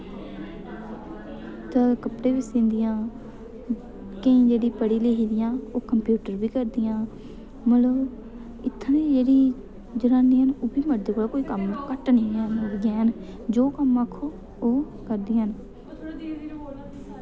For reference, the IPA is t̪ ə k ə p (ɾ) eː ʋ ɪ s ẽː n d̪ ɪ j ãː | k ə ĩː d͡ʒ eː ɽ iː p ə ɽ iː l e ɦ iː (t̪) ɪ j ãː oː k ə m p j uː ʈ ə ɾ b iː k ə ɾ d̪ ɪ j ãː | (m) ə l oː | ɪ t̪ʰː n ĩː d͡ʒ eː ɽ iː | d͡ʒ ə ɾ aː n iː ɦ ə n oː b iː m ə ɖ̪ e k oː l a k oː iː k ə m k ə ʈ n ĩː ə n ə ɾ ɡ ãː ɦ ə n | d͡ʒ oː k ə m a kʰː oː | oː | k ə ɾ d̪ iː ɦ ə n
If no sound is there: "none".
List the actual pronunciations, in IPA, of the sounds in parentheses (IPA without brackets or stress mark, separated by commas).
ɽ, d̪, m